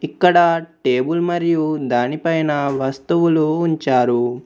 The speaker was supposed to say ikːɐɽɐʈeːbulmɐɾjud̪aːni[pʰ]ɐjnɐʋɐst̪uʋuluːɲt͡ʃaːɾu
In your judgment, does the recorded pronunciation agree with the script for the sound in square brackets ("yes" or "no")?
no